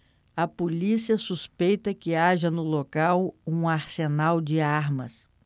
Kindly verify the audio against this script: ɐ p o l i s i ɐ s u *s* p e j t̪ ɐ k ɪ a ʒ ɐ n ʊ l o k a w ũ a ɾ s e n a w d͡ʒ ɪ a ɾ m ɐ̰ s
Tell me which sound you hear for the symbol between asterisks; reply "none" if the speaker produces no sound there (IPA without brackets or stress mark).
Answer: s